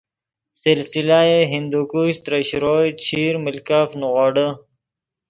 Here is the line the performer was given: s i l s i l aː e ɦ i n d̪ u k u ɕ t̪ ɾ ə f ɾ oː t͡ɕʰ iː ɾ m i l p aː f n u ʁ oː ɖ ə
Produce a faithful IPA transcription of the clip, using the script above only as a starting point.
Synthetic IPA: s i l s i l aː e ɦ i n d̪ u k u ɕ t̪ ɾ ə ɕ ɾ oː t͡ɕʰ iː ɾ m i l k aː f n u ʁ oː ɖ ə